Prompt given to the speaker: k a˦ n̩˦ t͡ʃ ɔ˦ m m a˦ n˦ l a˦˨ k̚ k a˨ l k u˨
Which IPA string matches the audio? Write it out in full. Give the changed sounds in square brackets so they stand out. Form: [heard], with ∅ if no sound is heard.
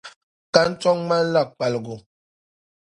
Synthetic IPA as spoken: k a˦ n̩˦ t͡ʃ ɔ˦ [ŋ] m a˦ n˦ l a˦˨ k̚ [k͡p] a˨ l [ɡ] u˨

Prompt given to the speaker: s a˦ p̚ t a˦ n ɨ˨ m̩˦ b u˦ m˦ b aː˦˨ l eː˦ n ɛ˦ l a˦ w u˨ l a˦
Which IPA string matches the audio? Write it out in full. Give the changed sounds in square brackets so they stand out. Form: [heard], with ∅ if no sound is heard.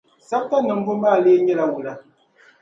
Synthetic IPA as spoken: s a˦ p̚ t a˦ n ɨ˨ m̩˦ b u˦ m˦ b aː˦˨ l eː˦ [ɲ] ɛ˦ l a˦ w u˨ l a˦

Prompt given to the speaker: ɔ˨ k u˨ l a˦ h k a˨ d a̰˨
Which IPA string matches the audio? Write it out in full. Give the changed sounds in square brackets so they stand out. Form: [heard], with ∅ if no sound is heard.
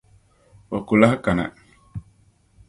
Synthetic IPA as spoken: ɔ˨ k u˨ l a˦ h k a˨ [n] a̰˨

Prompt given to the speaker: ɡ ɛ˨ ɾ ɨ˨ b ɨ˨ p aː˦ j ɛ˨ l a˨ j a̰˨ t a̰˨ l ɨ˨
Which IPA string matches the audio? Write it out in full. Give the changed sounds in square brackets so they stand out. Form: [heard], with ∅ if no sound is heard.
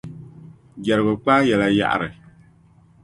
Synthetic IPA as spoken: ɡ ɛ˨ ɾ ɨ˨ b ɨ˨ [k͡p] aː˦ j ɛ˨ l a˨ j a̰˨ [ʔ] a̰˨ [ɾ] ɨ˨

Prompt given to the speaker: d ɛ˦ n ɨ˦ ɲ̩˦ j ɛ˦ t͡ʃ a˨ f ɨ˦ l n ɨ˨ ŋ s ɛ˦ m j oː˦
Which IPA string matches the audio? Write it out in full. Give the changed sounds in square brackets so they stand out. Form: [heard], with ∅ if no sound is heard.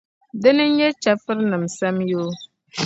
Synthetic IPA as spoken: d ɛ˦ n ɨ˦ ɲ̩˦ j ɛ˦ t͡ʃ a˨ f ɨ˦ [ɾ] n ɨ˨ [m] s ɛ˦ m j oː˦

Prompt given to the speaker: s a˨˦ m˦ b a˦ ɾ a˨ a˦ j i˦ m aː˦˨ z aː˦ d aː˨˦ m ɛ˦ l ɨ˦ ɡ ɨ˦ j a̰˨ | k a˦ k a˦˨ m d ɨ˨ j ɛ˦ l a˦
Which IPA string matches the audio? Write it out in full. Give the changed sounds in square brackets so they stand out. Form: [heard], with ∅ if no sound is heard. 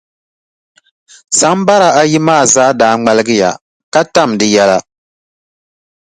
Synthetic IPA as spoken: s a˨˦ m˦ b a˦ ɾ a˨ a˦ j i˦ m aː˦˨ z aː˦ d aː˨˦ [ŋ͡m] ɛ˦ l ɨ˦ ɡ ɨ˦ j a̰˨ | k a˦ [t] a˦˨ m d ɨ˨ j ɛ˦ l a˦

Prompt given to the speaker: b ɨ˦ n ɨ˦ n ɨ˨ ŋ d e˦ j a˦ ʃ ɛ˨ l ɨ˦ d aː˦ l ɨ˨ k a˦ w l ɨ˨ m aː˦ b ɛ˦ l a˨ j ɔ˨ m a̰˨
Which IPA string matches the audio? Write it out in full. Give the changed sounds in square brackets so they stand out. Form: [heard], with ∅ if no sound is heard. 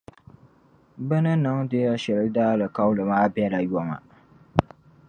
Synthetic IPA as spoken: b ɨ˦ n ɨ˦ n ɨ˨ ŋ d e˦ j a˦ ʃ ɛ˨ l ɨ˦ d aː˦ l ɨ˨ k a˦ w l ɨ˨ m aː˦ b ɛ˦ l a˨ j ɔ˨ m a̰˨

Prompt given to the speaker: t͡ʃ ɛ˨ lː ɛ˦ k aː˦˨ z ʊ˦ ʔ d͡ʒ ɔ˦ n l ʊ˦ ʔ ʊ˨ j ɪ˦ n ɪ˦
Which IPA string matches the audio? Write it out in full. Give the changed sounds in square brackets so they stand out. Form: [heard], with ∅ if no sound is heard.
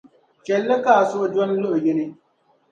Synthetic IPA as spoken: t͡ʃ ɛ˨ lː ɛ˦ k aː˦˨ [s] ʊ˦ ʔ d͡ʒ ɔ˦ n l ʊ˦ ʔ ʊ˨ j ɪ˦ n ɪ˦

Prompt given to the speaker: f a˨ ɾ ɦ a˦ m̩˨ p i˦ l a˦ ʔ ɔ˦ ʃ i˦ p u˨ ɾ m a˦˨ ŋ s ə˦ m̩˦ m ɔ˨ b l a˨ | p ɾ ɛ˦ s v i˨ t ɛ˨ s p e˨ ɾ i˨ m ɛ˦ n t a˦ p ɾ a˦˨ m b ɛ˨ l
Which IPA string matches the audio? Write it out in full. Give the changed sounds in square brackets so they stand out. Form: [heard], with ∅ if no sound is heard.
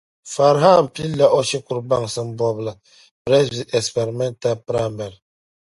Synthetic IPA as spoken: f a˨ ɾ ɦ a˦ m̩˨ p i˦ l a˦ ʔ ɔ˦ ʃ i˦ [k] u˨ ɾ [b] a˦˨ ŋ s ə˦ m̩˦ [b] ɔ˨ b l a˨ | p ɾ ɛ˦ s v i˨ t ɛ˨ s p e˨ ɾ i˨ m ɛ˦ n t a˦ p ɾ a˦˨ m b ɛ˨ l

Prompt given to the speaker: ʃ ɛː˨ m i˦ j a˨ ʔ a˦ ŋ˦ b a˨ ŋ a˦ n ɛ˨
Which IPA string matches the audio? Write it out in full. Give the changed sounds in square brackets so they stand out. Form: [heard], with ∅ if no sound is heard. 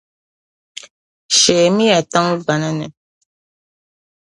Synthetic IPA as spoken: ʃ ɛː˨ m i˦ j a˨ [t] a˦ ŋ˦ b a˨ [n] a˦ n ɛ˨

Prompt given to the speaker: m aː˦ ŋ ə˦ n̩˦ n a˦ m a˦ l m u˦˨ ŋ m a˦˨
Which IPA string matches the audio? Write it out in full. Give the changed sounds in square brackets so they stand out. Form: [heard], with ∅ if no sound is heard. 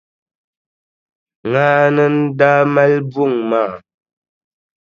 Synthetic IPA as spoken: [ŋ] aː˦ [n] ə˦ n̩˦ [d] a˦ m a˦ l [b] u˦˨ ŋ m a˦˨

